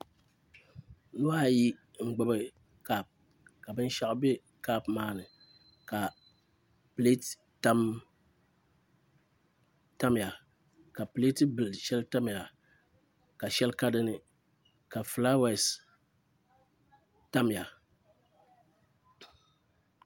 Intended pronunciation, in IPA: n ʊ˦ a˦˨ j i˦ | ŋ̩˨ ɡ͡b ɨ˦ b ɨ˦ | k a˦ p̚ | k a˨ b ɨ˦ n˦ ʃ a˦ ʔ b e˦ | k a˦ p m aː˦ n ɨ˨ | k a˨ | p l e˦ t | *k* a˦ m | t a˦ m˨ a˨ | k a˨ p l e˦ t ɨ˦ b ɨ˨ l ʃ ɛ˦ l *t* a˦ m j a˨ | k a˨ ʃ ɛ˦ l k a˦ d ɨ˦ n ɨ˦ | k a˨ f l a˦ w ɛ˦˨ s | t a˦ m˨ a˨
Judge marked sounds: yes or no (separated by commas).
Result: no, yes